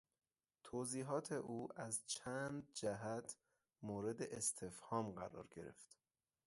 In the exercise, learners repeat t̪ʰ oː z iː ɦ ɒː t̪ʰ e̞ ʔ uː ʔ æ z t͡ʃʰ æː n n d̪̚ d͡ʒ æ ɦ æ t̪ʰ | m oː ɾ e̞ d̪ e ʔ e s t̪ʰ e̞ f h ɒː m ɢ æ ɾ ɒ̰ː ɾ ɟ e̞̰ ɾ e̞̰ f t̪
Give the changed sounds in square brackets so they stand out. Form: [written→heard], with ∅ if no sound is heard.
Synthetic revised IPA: t̪ʰ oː z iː ɦ ɒː t̪ʰ e̞ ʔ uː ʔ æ z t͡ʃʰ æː n n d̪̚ d͡ʒ æ ɦ æ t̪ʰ | m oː ɾ e̞ d̪ e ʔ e s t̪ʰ e̞ f h ɒː m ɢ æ ɾ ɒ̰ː ɾ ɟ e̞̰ ɾ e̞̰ f t̪